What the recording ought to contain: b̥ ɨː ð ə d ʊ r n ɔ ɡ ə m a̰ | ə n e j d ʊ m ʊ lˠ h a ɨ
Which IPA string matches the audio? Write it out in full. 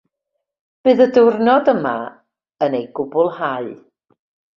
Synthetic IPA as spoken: b̥ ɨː ð ə d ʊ r n ɔ d ə m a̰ | ə n e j ɡ ʊ b ʊ lˠ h a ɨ